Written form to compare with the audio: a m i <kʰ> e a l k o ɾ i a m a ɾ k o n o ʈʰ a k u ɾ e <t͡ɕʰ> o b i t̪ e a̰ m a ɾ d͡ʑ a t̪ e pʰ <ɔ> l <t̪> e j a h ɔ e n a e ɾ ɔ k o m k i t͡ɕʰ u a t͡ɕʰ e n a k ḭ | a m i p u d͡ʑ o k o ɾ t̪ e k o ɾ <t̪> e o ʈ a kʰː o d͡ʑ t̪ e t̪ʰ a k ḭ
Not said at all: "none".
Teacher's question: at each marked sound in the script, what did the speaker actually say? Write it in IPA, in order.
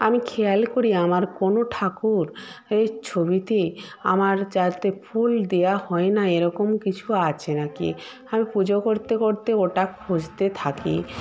kʰ, t͡ɕʰ, u, d̪, t̪

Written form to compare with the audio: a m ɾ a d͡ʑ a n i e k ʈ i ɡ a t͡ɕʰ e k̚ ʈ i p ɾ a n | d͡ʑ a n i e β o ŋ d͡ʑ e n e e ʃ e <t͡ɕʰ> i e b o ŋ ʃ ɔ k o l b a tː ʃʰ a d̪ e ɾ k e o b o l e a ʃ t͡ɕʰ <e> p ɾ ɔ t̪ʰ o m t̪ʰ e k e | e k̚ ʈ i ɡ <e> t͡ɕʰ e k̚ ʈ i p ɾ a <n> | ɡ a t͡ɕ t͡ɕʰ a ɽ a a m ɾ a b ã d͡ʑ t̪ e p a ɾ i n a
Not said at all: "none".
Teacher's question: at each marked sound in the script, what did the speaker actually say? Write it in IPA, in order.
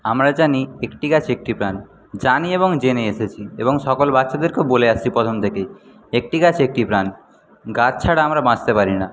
t͡ɕʰ, i, a, n

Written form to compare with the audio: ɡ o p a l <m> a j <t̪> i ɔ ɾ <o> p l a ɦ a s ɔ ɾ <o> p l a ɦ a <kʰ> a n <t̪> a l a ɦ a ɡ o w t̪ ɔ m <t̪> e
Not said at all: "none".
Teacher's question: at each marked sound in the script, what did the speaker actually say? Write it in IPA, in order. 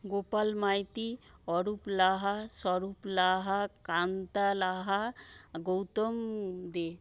m, t̪, u, u, k, t̪, d̪

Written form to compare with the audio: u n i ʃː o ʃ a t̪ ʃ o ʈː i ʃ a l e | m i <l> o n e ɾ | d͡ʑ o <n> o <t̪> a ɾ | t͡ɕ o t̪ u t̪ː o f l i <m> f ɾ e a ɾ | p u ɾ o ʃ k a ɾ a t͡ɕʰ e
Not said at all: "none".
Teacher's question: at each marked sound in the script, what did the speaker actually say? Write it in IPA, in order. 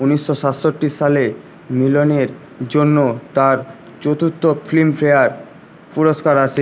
l, nː, t̪, m

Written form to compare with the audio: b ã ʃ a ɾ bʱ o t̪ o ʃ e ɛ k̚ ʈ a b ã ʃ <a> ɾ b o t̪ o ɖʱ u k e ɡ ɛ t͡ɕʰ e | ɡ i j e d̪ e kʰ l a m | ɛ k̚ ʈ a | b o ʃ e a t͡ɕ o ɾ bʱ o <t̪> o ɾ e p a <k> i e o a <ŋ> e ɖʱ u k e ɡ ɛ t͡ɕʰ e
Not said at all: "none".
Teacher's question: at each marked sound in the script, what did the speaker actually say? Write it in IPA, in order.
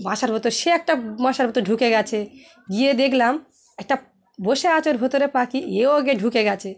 a, t̪, k, ɡ

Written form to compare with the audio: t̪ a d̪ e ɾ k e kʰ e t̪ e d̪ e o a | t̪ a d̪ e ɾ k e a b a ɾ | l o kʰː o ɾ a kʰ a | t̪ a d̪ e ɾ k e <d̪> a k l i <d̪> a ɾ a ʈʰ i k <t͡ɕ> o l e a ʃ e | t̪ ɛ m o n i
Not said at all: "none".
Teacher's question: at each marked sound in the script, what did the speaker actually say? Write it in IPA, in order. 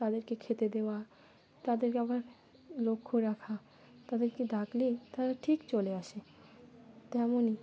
d̪, t̪, t͡ɕ

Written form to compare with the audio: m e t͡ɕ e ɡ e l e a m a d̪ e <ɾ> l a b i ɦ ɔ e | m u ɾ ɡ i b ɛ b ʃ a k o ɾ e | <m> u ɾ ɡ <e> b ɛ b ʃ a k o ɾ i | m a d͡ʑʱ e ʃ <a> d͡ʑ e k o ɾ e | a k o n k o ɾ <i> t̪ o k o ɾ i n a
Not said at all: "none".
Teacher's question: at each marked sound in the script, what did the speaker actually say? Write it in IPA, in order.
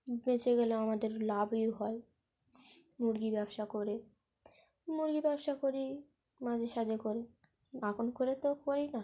ɾ, m, i, a, e

